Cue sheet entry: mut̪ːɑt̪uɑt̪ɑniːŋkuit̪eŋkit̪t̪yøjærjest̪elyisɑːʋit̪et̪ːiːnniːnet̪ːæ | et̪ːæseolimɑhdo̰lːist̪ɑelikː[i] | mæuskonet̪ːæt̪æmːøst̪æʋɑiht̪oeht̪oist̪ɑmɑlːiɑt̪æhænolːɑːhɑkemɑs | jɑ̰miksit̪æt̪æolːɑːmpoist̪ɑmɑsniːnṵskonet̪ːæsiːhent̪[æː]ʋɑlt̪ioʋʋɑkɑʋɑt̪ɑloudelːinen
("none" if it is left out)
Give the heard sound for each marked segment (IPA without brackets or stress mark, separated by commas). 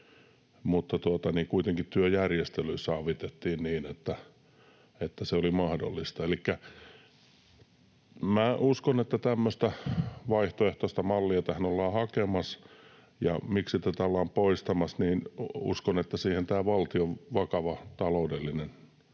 æ, æː